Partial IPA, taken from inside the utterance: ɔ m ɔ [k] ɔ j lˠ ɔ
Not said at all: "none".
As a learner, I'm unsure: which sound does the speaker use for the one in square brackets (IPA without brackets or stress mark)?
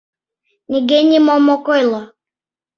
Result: k